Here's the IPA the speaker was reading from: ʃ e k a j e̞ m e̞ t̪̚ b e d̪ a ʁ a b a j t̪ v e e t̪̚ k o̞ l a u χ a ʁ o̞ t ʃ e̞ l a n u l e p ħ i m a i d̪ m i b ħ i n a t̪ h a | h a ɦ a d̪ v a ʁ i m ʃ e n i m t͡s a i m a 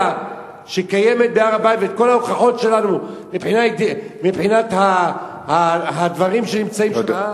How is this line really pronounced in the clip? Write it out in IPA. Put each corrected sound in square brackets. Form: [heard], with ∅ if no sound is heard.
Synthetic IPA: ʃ e k a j e̞ m e̞ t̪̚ b e [∅] a ʁ a b a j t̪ v e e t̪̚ k o̞ l a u χ a [χ] o̞ t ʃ e̞ l a n u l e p ħ i [n] a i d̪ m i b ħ i n a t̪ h a | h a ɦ a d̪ v a ʁ i m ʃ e n i m t͡s a i m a